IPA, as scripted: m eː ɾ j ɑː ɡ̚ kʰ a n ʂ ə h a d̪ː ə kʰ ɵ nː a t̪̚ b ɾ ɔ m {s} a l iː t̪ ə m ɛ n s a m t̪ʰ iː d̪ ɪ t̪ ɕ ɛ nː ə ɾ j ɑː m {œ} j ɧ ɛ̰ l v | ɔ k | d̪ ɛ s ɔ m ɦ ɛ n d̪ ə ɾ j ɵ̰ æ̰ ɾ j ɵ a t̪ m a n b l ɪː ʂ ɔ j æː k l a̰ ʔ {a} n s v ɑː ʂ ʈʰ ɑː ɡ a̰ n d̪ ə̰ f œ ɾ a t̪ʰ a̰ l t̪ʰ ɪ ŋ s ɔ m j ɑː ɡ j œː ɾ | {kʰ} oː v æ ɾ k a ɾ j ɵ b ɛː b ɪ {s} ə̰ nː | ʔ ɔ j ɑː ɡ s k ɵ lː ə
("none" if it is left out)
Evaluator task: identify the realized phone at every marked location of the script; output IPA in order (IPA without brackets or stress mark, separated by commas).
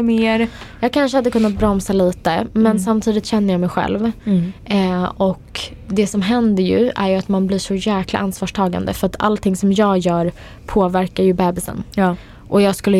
s, ɛ, a, pʰ, s